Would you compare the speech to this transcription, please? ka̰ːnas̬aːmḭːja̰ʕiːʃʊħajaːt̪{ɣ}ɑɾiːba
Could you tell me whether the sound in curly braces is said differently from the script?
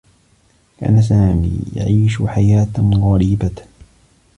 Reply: no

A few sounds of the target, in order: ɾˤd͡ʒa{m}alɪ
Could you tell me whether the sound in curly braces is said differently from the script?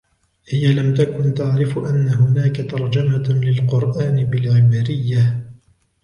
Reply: no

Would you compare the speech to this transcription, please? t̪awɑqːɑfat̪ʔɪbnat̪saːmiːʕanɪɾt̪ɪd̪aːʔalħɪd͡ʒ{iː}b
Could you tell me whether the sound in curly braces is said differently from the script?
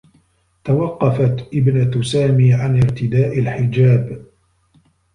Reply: yes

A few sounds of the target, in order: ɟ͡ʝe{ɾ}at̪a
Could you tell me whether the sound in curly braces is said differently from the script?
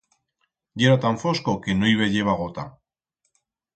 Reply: no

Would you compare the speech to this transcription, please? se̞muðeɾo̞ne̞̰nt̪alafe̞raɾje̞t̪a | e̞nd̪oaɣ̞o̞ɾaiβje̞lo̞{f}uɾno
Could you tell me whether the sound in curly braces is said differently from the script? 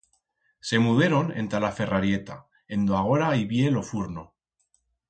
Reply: no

